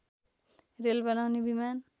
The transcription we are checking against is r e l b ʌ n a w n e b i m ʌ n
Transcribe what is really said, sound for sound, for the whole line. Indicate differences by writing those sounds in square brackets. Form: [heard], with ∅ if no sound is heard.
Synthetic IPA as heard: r e l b ʌ n a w n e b i m [a] n

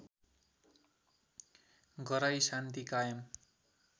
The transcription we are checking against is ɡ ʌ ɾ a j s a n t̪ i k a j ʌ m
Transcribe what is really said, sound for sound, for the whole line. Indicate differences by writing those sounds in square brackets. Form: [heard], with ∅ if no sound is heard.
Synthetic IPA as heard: ɡ ʌ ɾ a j s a n t̪ i k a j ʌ m

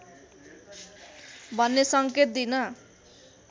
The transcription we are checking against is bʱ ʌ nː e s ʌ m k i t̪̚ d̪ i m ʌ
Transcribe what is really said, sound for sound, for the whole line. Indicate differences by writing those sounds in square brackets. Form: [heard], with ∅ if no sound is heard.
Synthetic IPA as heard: bʱ ʌ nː e s ʌ [ŋ] k [e] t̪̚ d̪ i [n] ʌ

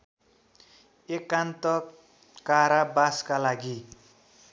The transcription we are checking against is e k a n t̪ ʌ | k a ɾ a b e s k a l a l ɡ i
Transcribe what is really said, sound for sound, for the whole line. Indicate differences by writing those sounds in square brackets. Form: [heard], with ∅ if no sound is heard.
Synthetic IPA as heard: e k a n t̪ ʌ | k a ɾ a b [a] s k a l a [∅] ɡ i

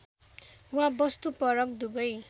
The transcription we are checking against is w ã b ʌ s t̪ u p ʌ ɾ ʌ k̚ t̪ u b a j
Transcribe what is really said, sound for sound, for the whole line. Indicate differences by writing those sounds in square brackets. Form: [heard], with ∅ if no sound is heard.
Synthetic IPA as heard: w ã b ʌ s t̪ u p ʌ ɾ ʌ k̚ [d̪] u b [ʌ] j

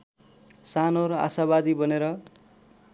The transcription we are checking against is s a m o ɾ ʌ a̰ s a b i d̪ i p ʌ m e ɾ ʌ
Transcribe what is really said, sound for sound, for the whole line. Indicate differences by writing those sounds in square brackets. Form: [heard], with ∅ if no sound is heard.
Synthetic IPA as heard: s a [n] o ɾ ʌ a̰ s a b [a] d̪ i [b] ʌ [n] e ɾ ʌ

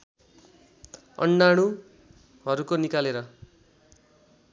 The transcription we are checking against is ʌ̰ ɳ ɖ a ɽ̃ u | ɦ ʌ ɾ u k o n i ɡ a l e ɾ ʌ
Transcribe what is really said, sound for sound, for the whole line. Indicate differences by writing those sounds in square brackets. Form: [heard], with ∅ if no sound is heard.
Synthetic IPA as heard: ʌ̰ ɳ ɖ a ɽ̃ u | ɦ ʌ ɾ u k o n i [k] a l e ɾ ʌ

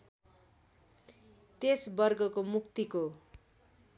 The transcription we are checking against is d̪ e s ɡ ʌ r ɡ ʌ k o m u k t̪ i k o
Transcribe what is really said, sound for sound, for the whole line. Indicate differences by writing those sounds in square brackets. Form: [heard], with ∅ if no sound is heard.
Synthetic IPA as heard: [t̪] e s [b] ʌ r ɡ ʌ k o m u k t̪ i k o

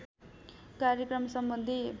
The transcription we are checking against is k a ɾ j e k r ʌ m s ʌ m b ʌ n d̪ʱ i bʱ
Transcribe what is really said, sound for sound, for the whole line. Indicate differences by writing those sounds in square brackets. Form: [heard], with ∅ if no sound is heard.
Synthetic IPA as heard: k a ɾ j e k r ʌ m s ʌ m b ʌ n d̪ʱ i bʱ

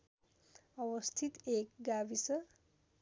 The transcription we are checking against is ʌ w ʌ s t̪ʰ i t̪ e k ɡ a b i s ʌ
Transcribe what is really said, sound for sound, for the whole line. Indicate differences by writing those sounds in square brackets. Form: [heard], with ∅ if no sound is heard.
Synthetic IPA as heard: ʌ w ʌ s t̪ʰ i t̪ e k ɡ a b i s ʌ

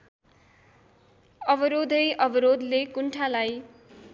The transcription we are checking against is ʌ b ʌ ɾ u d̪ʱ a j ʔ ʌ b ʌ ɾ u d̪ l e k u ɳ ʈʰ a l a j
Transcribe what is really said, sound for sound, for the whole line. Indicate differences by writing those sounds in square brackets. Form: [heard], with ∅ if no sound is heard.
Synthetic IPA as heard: ʌ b ʌ ɾ [o] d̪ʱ [ʌ] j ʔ ʌ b ʌ ɾ [o] d̪ l e k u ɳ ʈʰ a l a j

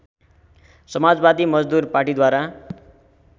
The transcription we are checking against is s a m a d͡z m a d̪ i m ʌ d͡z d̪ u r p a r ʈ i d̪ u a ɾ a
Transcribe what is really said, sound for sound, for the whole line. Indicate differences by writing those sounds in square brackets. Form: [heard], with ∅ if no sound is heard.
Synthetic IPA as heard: s [ʌ] m a d͡z [b] a d̪ i m ʌ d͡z d̪ u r p a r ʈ i d̪ [w] a ɾ a

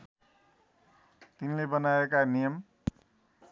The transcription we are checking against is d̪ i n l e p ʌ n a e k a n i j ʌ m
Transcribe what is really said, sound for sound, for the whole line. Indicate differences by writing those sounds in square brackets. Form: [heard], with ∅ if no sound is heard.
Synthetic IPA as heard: [t̪] i n l e [b] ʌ n a e k a n i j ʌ m

